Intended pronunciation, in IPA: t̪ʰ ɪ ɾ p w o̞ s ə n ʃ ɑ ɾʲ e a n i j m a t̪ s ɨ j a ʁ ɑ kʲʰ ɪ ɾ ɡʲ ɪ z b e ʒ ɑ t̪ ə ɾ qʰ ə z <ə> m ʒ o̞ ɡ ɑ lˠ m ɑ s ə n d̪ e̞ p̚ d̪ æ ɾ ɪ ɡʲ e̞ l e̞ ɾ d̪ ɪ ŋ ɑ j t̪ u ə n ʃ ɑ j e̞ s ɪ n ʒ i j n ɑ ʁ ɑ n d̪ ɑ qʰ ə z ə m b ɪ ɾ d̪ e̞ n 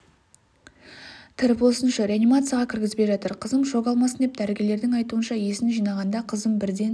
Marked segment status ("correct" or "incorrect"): correct